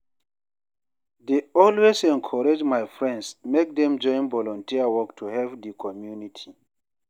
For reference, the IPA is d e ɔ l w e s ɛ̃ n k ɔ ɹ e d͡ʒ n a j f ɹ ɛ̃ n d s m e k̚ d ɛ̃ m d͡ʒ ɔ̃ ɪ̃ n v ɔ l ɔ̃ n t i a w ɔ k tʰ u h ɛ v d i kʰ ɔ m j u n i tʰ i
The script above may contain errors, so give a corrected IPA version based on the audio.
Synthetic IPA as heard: d e ɔ l w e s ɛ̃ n kʰ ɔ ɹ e d͡ʒ m a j f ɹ ɛ̃ n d s m e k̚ d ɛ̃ m d͡ʒ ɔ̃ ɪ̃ n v ɔ l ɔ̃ n t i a w ɔ k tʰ u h ɛ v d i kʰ ɔ m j u n i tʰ i

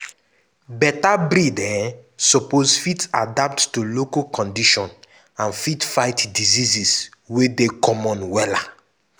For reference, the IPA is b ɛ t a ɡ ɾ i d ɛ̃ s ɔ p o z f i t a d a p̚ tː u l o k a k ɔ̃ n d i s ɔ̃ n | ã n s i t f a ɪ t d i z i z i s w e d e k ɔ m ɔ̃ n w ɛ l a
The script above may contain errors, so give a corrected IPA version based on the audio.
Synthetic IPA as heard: b ɛ t a b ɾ i d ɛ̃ s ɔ p o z f i t a d a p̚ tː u l o k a k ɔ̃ n d i ʃ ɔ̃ n | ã n f i t f a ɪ t d i z i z i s w e d e k ɔ m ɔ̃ n w ɛ l a

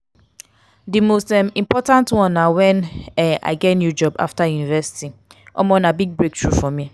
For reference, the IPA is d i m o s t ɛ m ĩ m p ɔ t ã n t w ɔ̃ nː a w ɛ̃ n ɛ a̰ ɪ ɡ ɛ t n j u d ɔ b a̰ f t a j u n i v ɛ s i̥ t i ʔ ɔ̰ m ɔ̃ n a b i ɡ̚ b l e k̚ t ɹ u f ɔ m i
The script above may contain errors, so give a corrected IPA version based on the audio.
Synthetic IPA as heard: d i m o s t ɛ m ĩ m p ɔ t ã n t w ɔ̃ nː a w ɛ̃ n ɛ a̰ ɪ ɡ ɛ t n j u d͡ʒ ɔ b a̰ f t a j u n i v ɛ s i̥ t i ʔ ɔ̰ m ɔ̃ n a b i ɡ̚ b ɹ e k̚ t ɹ u f ɔ m i

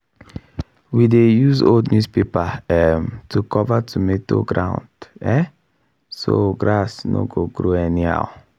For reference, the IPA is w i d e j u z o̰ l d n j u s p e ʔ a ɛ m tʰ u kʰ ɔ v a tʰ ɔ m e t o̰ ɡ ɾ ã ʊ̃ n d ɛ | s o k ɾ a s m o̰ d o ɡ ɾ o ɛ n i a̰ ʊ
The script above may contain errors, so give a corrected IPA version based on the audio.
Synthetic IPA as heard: w i d e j u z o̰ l d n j u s p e p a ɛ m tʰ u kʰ ɔ v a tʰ u m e t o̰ ɡ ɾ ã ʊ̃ n d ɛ | s o ɡ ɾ a s n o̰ ɡ o ɡ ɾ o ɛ n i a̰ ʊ

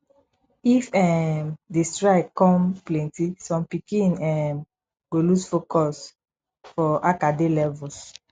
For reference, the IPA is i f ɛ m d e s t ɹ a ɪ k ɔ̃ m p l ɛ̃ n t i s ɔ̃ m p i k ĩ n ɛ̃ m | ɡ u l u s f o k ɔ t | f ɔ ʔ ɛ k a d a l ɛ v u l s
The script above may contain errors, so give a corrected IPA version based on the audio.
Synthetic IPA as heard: i f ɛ m d e s t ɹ a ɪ k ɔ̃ m p l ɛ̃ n t i s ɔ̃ m p i k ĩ n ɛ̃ m | ɡ o l u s f o k ɔ s | f ɔ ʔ a k a d e l ɛ v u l s

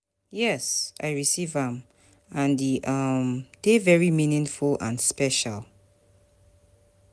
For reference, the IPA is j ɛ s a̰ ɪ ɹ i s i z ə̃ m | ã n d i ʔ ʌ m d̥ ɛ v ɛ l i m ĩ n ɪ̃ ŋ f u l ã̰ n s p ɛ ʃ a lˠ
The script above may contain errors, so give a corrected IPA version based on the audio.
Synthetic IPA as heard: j ɛ s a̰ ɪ ɹ i s i v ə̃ m | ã n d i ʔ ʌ m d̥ e v ɛ ɹ i m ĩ n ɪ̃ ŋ f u l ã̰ n s p ɛ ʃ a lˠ

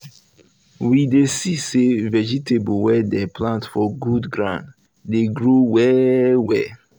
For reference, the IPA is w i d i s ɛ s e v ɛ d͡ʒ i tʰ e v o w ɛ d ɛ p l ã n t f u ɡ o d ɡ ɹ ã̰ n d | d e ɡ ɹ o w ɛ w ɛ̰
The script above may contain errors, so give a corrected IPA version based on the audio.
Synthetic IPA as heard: w i d e s i s e v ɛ d͡ʒ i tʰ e b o w ɛ d ɛ p l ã n t f ɔ ɡ u d ɡ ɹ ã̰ n d | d e ɡ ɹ o w ɛ w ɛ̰

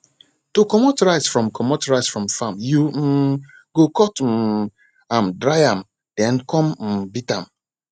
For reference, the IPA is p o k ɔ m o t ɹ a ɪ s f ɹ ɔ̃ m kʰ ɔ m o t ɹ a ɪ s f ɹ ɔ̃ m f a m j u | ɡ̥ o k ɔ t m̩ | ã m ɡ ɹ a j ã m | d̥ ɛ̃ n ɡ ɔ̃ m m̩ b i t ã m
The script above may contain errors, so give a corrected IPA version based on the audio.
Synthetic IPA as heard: t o k ɔ m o t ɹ a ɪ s f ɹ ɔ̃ m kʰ ɔ m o t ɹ a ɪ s f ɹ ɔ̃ m f a m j u | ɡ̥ o k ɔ t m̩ | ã m d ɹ a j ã m | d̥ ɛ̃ n k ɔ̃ m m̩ b i t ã m

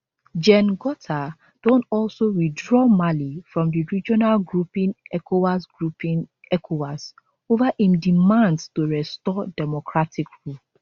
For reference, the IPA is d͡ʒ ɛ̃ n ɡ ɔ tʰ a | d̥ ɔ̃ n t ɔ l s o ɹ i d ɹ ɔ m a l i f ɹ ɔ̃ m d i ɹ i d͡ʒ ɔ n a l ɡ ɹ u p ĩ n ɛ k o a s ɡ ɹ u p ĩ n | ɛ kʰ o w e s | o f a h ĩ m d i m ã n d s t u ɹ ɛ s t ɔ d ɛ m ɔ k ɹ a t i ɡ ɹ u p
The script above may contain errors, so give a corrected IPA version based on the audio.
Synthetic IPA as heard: d͡ʒ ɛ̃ n ɡ ɔ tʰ a | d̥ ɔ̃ n t ɔ l s o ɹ i d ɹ ɔ m a l i f ɹ ɔ̃ m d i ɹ i d͡ʒ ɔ n a l ɡ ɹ u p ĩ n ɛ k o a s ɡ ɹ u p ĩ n | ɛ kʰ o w a s | o v a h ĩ m d i m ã n d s t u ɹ ɛ s t ɔ d ɛ m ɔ k ɹ a t i k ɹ u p

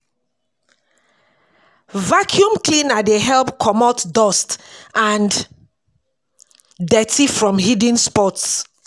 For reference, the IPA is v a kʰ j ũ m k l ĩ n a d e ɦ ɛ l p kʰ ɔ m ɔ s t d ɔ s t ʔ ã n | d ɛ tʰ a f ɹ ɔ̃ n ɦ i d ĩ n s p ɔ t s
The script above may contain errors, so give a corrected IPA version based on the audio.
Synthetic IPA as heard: v a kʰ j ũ m k l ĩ n a d e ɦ ɛ l p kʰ ɔ m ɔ t d ɔ s t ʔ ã n | d ɛ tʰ i f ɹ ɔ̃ m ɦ i d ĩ n s p ɔ t s

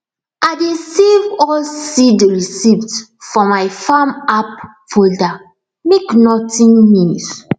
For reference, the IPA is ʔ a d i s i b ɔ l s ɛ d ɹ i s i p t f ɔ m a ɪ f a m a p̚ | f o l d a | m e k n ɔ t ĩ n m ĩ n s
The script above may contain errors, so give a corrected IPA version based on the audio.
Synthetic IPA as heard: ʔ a d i s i v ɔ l s i d ɹ i s i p t f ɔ m a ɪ f a m a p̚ | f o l d a | m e k n ɔ t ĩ n m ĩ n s

